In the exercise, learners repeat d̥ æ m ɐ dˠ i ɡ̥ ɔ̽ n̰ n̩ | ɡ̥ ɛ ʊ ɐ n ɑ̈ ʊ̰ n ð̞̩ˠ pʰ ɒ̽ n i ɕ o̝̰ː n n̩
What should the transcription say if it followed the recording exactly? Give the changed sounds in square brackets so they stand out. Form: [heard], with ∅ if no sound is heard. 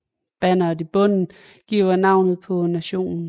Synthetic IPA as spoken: [b̥] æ [n] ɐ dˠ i [b̥] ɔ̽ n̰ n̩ | ɡ̥ [i] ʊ ɐ n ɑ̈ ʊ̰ n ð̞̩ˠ pʰ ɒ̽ n [æ] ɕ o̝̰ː n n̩